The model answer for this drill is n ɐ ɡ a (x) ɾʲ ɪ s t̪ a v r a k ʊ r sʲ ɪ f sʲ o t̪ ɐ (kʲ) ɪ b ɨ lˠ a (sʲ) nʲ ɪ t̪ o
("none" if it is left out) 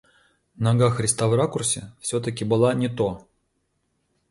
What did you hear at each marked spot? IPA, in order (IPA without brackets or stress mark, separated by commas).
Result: x, kʲ, none